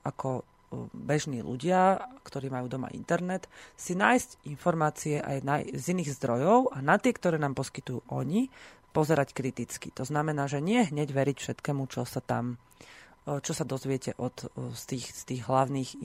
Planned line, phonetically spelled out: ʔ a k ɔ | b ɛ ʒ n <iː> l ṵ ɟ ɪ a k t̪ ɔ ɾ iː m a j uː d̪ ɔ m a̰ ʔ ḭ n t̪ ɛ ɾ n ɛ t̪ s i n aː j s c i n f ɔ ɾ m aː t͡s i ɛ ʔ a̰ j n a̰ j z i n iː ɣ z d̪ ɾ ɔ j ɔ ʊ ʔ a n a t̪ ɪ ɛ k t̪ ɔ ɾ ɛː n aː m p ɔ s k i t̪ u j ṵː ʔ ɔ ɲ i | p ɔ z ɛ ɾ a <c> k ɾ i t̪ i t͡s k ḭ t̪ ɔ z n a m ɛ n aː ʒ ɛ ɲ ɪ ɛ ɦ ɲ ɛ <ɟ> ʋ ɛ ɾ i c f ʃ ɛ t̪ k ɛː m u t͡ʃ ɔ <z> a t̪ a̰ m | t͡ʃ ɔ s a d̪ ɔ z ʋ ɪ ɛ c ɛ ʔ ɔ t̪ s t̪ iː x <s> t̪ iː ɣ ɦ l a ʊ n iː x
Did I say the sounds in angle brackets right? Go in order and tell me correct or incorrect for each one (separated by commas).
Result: correct, correct, correct, incorrect, correct